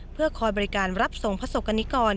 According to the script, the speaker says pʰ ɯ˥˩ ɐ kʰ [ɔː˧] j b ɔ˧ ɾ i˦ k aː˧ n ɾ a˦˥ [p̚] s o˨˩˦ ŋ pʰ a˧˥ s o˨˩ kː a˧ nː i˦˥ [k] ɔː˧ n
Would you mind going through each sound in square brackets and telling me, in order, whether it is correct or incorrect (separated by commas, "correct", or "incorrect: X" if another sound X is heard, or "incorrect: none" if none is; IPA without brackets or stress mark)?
correct, correct, correct